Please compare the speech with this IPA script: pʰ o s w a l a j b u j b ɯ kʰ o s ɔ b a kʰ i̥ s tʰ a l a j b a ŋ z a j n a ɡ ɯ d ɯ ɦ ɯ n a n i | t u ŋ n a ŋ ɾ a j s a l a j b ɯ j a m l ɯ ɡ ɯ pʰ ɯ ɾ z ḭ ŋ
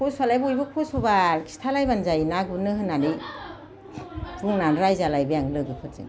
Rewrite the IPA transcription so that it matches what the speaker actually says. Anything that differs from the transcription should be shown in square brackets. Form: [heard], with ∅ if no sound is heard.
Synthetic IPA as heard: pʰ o s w a l a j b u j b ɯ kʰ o s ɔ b a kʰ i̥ s tʰ a l a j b a [n] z a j n a ɡ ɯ [n] ɯ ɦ ɯ n a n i | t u ŋ n a [n] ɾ a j [z] a l a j b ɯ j a [ŋ] l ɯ ɡ ɯ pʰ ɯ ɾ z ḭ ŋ